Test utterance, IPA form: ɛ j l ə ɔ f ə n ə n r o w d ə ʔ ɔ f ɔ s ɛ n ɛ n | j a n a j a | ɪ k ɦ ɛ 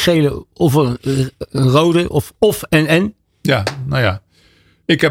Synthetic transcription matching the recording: e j l ə ɔ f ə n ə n r o w d ə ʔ ɔ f ɔ f ɛ n ɛ n | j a n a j a | ɪ k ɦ ɛ